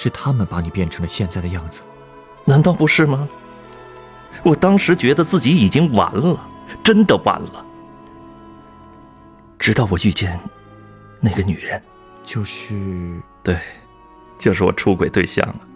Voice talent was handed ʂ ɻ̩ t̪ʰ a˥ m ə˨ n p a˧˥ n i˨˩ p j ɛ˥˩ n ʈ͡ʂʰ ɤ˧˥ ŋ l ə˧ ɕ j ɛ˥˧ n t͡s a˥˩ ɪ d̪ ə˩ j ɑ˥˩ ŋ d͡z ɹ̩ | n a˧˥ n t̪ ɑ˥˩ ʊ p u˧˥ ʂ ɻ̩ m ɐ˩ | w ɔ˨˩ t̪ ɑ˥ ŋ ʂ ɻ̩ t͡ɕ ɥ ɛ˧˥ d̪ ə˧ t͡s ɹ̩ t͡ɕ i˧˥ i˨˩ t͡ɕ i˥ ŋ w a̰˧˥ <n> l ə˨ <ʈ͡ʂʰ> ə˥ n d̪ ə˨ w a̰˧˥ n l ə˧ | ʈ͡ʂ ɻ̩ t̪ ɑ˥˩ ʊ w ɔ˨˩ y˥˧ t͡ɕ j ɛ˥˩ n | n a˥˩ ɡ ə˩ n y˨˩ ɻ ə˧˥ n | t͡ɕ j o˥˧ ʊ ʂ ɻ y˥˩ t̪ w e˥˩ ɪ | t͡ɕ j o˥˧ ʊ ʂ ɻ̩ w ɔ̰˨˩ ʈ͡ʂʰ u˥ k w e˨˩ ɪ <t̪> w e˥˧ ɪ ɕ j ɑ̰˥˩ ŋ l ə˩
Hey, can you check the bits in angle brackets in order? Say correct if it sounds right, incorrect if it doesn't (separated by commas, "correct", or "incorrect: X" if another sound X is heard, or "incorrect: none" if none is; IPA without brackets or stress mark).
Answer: correct, incorrect: ʈ͡ʂ, correct